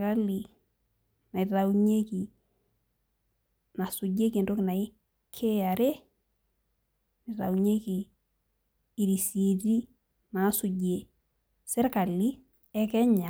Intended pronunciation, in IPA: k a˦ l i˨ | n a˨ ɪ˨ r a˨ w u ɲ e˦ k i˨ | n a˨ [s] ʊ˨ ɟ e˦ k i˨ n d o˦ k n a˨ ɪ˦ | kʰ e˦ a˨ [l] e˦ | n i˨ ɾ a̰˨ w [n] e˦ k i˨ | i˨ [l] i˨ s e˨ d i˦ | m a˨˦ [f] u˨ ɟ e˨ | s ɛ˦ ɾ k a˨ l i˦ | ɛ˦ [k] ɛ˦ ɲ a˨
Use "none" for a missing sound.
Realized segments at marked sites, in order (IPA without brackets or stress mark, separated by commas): s, ɾ, ɲ, ɾ, s, k